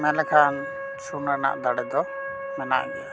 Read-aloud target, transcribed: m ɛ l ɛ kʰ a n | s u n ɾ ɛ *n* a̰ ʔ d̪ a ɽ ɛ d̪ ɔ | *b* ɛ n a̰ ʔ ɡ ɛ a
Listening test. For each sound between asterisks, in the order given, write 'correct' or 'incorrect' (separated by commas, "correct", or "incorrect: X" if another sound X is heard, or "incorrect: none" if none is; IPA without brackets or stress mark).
correct, incorrect: m